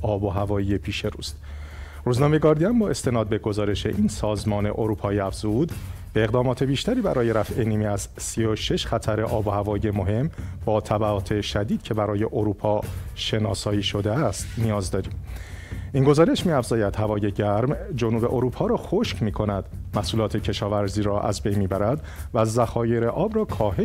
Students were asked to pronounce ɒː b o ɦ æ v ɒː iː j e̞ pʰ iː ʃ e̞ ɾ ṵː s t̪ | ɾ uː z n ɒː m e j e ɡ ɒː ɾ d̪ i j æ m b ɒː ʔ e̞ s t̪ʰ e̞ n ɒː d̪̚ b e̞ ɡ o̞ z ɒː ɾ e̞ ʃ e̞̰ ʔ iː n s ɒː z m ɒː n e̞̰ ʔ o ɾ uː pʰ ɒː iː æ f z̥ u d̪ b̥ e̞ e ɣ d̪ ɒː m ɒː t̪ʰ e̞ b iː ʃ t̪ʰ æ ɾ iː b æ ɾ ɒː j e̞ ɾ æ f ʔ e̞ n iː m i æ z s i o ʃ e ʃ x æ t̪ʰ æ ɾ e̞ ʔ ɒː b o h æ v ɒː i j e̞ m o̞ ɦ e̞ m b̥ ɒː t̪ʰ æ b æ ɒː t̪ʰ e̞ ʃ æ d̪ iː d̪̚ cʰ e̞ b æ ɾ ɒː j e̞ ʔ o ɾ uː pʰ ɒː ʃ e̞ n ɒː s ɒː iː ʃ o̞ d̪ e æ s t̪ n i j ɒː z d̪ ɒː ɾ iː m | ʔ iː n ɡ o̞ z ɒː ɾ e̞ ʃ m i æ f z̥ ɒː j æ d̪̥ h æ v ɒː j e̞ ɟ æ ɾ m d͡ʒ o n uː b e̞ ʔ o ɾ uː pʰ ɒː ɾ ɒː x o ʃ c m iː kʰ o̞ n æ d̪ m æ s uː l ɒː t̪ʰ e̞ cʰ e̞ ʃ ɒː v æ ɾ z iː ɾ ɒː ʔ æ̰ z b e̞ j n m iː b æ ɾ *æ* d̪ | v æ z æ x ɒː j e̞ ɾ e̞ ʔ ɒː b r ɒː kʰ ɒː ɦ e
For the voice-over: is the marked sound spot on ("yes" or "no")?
yes